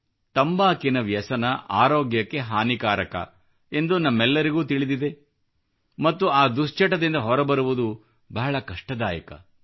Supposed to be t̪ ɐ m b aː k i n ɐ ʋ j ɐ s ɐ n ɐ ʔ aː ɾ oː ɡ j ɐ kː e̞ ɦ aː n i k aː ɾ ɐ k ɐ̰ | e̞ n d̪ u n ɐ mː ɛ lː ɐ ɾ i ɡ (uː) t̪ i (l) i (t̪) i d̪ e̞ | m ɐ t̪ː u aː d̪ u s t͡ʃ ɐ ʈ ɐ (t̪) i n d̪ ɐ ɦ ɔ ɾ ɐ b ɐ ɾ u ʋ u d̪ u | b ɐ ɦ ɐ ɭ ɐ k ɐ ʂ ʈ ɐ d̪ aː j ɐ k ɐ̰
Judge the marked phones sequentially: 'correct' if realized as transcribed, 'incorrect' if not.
correct, incorrect: ɭ, incorrect: d̪, incorrect: d̪

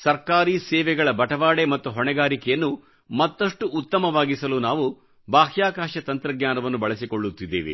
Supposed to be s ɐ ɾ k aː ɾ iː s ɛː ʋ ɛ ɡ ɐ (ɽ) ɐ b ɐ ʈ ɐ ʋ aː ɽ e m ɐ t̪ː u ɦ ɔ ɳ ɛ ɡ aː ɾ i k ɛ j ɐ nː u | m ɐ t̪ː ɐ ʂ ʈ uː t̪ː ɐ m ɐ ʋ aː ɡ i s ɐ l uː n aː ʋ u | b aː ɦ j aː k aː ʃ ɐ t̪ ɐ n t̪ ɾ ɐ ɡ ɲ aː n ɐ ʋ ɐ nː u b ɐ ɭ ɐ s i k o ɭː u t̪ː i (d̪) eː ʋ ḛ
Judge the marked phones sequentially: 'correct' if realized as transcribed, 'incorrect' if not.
incorrect: ɭ, incorrect: d̪ː

